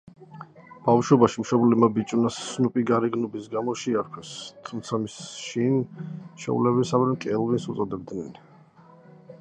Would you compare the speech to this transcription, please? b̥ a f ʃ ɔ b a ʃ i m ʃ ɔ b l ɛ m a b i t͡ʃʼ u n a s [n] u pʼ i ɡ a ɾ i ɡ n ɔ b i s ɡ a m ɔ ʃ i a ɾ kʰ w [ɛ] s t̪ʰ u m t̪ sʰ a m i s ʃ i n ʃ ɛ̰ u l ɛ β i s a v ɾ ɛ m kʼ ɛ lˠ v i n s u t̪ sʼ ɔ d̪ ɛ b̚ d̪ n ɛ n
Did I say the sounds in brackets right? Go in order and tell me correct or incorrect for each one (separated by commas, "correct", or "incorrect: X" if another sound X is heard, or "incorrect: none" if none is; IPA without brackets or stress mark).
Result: correct, correct